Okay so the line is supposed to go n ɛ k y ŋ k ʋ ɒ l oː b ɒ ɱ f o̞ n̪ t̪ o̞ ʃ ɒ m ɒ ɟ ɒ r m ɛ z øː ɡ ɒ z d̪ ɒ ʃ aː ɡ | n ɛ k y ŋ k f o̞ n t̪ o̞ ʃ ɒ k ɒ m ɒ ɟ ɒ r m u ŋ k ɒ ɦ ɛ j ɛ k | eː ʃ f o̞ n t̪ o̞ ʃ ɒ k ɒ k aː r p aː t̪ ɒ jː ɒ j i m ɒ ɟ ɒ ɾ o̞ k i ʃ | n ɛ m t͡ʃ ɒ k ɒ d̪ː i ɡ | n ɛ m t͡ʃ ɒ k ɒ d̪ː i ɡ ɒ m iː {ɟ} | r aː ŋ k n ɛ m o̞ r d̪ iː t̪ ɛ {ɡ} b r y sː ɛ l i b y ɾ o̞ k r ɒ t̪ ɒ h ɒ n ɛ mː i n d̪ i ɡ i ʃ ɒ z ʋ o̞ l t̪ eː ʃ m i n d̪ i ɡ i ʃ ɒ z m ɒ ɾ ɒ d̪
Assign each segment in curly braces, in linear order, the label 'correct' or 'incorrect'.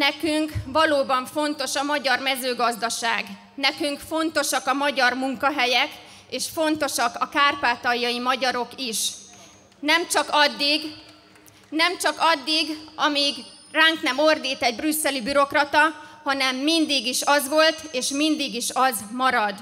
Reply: incorrect: ɡ, incorrect: ɟ

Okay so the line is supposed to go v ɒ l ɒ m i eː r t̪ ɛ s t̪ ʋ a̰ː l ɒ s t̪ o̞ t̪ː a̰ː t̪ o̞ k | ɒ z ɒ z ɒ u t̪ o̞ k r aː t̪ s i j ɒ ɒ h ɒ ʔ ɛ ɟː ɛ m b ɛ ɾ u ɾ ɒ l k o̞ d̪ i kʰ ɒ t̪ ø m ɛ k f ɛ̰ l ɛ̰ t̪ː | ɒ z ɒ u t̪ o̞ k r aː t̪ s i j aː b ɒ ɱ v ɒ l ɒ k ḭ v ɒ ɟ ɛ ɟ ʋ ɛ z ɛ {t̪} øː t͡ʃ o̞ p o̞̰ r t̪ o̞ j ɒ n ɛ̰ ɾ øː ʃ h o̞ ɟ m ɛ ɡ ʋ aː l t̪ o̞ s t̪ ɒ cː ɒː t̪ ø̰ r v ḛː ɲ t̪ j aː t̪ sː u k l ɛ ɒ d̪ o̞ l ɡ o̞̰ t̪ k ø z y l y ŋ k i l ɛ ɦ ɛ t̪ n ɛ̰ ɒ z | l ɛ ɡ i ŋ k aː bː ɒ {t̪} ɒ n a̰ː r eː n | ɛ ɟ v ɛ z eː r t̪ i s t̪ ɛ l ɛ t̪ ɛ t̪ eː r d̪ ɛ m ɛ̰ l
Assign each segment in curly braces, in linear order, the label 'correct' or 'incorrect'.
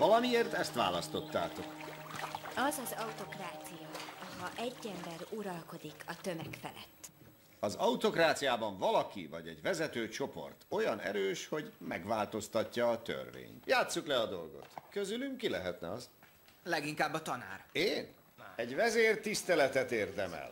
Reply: correct, correct

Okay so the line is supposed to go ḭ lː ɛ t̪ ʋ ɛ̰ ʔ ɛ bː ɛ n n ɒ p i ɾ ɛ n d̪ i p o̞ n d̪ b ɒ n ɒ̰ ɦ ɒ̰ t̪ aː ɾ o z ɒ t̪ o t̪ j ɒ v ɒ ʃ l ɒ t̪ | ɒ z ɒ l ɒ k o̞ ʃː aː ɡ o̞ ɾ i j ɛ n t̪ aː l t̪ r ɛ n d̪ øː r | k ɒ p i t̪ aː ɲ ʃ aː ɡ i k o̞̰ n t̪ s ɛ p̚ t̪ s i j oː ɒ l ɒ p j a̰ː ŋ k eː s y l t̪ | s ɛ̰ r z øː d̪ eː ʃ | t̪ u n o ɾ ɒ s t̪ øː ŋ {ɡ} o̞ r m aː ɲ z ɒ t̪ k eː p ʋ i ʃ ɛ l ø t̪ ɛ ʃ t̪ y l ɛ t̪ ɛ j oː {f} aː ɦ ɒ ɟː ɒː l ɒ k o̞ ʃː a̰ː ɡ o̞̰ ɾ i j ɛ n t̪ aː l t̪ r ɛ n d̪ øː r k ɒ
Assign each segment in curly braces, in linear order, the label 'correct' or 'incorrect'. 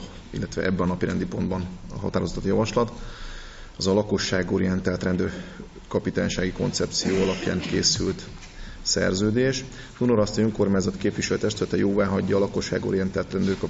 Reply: incorrect: k, incorrect: v

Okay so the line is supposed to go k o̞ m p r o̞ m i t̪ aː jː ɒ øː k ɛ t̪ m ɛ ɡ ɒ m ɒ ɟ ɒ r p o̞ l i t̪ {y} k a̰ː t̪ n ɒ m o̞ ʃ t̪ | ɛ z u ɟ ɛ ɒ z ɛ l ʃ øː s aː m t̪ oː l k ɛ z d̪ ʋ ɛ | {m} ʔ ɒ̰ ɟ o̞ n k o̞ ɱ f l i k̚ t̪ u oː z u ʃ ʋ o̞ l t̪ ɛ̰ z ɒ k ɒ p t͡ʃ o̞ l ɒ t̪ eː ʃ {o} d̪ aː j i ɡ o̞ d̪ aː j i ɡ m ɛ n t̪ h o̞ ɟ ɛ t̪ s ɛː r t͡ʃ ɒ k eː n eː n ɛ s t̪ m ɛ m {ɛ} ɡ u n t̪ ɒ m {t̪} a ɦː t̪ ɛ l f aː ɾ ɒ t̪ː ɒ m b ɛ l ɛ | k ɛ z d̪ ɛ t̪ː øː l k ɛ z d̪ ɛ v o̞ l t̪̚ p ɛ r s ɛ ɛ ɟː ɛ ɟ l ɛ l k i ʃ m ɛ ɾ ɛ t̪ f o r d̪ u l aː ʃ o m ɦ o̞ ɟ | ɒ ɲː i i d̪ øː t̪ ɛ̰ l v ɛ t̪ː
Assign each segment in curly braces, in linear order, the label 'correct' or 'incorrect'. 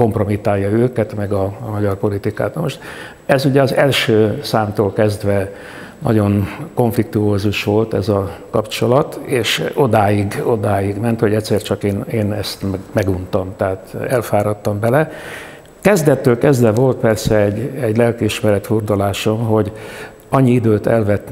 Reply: incorrect: i, incorrect: n, correct, correct, correct

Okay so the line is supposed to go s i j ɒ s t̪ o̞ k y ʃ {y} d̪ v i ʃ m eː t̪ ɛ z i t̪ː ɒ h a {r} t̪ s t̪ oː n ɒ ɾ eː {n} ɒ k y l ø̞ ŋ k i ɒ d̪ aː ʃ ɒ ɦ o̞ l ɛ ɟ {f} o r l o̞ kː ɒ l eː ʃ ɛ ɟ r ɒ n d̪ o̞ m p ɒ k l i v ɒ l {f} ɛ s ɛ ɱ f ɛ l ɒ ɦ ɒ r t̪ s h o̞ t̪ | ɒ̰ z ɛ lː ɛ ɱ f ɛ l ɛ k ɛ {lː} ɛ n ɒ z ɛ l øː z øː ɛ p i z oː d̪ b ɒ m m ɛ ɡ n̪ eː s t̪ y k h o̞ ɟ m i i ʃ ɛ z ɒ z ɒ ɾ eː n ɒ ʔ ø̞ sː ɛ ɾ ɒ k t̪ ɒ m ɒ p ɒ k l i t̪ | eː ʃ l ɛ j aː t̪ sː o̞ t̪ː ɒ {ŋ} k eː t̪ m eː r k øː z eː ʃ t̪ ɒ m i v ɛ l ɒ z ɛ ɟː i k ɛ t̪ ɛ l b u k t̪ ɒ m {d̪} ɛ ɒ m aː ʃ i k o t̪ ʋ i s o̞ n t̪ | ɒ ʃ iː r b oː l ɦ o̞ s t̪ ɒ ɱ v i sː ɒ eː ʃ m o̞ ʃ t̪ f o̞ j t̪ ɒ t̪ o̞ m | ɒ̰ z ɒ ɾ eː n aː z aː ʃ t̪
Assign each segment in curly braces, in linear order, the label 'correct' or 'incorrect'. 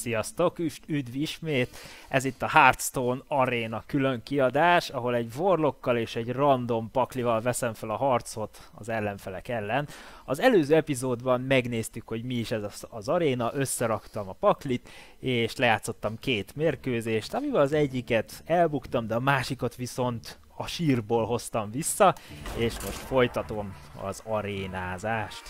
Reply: correct, correct, correct, incorrect: v, incorrect: v, correct, incorrect: m, correct

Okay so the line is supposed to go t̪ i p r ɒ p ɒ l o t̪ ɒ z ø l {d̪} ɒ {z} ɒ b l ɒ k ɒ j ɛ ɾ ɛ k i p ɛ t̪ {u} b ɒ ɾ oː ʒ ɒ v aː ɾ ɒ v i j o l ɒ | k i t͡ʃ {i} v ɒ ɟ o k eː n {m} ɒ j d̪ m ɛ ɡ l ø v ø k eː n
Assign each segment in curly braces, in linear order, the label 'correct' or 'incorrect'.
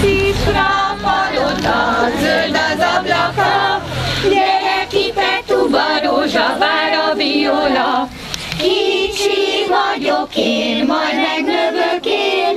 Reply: correct, correct, correct, correct, correct

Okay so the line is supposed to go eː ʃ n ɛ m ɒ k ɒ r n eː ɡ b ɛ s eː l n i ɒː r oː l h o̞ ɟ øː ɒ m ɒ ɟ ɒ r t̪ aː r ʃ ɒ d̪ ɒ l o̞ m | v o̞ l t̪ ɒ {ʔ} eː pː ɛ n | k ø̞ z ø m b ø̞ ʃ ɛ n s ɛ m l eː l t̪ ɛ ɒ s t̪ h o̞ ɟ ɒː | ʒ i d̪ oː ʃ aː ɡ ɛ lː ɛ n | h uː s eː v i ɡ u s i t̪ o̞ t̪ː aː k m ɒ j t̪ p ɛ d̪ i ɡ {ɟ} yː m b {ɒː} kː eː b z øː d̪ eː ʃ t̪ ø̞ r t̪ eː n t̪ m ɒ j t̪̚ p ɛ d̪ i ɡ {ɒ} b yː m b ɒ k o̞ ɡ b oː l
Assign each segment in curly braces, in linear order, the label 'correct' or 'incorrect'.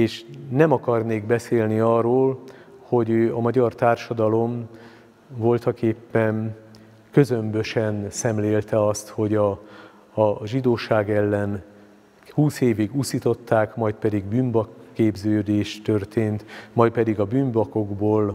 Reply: incorrect: k, incorrect: b, incorrect: ɒ, correct

